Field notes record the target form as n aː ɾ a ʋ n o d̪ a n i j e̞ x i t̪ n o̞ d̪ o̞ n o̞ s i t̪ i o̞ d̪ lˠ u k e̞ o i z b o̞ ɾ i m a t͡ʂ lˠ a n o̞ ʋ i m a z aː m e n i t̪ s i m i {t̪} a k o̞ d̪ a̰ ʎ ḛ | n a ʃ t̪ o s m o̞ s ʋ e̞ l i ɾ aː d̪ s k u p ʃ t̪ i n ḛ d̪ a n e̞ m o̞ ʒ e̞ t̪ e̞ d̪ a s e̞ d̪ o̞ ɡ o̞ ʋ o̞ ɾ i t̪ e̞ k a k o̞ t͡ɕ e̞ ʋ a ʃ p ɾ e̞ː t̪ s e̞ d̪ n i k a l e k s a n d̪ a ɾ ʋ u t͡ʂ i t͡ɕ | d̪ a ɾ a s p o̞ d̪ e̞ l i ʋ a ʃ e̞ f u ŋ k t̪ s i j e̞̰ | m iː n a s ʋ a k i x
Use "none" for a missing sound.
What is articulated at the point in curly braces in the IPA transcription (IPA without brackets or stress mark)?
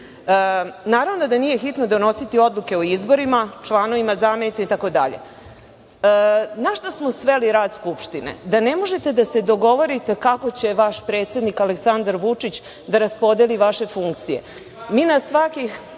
t̪